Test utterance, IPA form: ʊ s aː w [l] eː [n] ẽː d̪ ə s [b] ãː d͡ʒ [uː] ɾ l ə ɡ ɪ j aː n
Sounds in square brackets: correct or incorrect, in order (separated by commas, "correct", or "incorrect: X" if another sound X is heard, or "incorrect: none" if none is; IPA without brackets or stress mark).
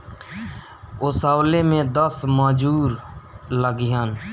correct, incorrect: m, incorrect: m, correct